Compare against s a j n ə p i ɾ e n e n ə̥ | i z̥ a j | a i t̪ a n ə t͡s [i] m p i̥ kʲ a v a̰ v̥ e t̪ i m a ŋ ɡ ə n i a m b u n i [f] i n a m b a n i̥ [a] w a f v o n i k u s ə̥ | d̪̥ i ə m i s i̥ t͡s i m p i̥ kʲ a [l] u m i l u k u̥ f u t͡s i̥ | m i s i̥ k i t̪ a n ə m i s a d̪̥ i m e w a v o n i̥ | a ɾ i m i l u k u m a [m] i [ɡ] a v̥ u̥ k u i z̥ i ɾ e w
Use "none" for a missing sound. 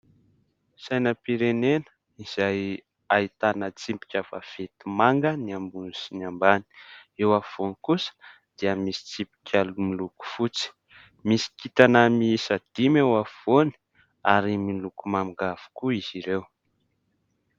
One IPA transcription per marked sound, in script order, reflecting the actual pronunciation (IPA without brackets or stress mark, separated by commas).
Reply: i, s, e, l, m, ɡ